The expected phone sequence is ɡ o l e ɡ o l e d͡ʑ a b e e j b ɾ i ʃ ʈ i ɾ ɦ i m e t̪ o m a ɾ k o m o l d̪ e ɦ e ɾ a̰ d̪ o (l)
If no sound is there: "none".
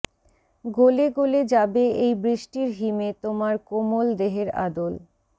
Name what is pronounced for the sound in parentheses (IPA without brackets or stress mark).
l